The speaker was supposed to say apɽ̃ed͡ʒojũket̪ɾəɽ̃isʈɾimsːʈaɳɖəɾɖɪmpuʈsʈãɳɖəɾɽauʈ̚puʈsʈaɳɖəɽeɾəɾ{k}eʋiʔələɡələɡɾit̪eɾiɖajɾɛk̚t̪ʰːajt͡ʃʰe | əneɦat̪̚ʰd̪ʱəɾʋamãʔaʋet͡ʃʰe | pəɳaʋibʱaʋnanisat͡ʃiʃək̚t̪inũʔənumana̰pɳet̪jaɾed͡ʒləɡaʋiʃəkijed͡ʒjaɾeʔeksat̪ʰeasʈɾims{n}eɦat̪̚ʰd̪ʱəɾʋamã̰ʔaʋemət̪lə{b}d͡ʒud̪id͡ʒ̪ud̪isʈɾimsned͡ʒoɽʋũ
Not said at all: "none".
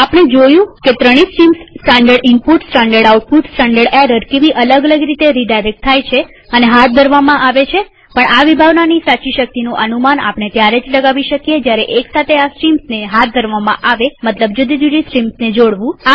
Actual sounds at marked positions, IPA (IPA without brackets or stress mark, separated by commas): k, n, b